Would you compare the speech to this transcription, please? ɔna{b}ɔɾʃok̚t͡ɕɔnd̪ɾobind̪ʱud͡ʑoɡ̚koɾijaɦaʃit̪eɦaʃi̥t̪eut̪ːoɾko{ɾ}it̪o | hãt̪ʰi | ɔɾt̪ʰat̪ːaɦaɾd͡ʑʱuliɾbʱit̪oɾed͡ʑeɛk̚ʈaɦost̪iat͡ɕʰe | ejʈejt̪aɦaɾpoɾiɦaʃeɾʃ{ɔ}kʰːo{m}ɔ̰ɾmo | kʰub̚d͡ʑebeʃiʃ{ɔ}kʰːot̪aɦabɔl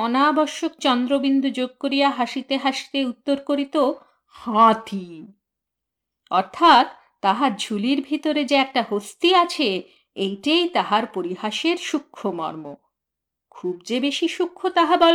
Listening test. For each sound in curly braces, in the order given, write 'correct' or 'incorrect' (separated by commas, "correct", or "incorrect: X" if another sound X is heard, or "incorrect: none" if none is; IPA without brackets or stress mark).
correct, correct, incorrect: u, correct, incorrect: u